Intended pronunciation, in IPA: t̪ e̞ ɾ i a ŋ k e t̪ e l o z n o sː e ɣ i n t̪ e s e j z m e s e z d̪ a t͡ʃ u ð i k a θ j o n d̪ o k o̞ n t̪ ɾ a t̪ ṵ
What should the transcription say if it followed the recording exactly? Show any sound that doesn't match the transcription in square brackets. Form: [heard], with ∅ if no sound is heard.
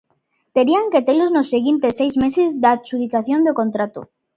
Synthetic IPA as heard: t̪ e̞ ɾ i a ŋ k e t̪ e l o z n o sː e ɣ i n t̪ e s e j z m e s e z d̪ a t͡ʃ u ð i k a θ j o n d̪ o k o̞ n t̪ ɾ a t̪ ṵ